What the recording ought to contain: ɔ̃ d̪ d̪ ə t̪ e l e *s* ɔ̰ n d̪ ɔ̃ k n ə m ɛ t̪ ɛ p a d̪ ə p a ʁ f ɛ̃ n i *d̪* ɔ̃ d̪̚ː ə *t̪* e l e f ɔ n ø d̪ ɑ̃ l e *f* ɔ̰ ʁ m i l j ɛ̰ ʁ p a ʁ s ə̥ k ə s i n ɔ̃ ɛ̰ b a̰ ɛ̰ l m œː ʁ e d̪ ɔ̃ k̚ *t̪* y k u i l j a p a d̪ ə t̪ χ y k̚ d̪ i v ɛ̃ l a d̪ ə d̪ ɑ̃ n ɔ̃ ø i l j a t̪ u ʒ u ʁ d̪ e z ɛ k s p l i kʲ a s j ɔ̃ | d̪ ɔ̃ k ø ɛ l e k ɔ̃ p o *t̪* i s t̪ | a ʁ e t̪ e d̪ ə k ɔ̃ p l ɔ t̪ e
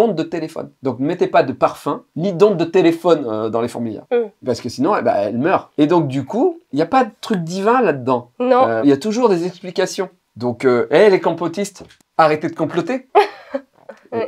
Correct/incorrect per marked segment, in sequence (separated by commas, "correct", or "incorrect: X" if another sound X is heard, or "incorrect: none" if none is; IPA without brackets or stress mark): incorrect: f, correct, correct, correct, incorrect: d̪, correct